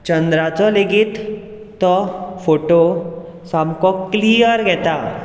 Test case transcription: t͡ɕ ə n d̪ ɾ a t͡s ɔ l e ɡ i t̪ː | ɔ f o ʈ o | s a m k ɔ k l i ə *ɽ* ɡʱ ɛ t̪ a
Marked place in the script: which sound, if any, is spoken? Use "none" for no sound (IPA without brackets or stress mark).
ɾ